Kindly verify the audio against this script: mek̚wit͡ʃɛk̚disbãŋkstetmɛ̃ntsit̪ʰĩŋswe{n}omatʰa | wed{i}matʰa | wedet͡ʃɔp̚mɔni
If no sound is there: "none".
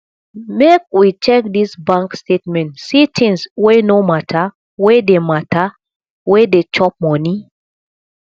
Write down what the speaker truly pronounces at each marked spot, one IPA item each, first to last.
n, e

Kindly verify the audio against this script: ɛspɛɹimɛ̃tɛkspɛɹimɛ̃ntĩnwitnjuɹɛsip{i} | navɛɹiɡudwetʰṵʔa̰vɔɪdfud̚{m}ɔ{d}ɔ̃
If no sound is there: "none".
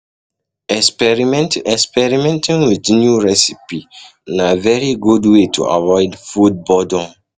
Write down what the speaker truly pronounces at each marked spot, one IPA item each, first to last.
i, b, d

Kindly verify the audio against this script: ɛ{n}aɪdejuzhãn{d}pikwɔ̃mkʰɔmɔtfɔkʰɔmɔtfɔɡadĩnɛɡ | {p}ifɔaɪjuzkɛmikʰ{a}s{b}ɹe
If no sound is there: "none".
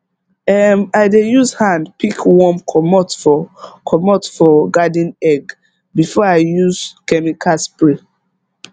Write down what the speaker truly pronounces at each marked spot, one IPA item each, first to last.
m, d, b, a, p

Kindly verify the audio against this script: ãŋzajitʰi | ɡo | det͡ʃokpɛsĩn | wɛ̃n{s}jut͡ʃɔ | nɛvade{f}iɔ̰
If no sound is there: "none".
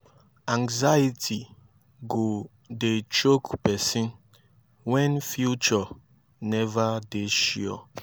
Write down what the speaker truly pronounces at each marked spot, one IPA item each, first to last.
f, ʃ

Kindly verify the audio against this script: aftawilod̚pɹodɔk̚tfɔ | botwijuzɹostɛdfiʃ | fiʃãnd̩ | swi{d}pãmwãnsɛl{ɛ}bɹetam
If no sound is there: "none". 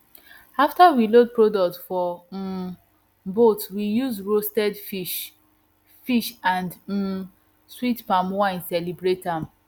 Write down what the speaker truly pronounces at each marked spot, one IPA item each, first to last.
t, i

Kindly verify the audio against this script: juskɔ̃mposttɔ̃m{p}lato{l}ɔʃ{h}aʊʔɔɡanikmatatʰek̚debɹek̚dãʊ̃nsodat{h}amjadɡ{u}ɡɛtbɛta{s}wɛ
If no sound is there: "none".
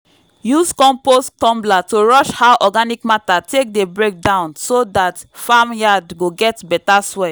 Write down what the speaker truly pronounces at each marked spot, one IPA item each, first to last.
b, ɹ, h, f, o, s

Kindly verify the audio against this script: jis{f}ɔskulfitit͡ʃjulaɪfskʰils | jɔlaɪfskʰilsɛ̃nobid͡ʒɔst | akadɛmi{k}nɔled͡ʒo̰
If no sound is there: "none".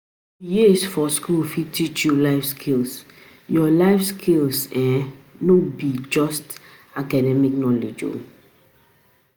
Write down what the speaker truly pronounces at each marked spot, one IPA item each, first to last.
f, k

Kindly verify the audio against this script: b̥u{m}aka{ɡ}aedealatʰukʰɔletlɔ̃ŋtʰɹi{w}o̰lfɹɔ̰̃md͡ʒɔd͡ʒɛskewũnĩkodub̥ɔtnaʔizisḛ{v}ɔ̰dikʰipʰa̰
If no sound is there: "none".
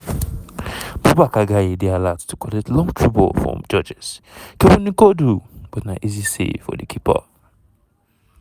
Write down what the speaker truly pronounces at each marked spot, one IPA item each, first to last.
b, ɡ, b, f

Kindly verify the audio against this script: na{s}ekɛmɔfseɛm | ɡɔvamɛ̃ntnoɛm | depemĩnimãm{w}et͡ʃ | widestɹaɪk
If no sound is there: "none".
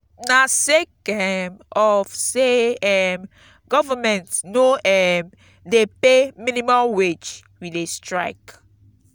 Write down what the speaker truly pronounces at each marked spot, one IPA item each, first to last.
s, w

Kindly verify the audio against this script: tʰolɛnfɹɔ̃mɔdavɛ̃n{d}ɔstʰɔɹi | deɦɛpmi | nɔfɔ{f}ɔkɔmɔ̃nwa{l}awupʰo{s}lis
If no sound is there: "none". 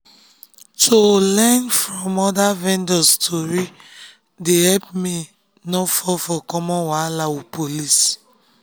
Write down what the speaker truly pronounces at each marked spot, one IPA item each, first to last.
d, f, l, none

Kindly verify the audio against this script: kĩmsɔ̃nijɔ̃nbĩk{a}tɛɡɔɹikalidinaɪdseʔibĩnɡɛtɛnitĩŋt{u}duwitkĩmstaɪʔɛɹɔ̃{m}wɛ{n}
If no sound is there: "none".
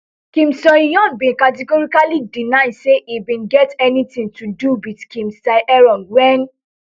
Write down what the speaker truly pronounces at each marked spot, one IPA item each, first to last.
a, u, n, n

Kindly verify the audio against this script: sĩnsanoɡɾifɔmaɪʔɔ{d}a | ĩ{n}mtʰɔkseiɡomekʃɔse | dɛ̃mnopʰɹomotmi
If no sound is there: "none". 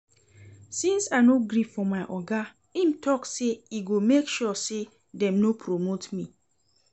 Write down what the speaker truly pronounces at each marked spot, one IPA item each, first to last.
ɡ, none

